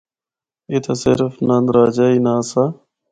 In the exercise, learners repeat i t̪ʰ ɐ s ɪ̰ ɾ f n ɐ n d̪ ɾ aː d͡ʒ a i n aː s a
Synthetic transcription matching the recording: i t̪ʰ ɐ s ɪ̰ ɾ f n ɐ n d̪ ɾ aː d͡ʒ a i n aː s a